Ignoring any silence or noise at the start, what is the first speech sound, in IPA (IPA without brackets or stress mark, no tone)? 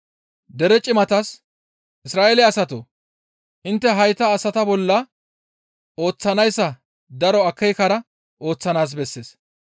d̪